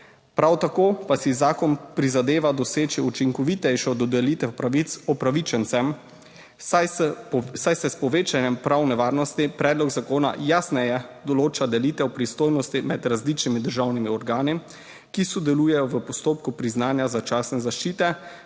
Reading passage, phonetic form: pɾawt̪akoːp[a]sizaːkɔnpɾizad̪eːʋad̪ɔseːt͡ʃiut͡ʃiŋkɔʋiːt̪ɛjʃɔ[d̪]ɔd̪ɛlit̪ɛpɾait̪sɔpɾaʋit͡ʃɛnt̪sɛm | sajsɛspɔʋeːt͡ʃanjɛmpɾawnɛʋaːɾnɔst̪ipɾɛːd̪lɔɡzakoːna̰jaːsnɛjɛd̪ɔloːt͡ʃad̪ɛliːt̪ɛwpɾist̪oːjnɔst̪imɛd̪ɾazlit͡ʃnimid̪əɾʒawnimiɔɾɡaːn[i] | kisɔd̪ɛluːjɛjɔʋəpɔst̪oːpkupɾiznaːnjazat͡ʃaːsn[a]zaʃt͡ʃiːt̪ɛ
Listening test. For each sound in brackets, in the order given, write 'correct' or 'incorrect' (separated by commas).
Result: correct, correct, correct, incorrect